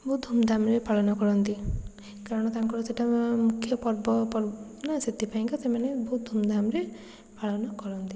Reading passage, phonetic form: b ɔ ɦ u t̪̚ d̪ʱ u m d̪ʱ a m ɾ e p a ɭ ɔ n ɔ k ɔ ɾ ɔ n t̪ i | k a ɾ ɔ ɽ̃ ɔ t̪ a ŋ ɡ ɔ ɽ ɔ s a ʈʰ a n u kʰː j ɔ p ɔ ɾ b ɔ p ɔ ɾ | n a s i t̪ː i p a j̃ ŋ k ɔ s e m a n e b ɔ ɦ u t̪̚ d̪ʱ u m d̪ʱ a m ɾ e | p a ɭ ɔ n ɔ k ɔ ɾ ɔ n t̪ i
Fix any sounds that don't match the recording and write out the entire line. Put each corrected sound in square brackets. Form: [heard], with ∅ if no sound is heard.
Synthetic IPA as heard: b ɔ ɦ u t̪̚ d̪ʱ u m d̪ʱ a m ɾ e p a ɭ ɔ n ɔ k ɔ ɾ ɔ n t̪ i | k a ɾ ɔ ɽ̃ ɔ t̪ a ŋ [k] ɔ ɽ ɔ s [e] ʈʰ a [m] u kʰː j ɔ p ɔ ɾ b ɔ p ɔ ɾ | n a s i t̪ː i p a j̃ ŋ k ɔ s e m a n e b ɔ ɦ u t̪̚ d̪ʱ u m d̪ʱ a m ɾ e | p a ɭ ɔ n ɔ k ɔ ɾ ɔ n t̪ i